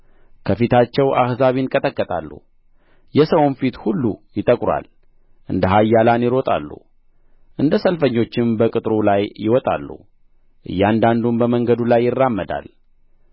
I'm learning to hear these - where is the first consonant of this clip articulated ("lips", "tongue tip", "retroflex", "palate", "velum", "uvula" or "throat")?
velum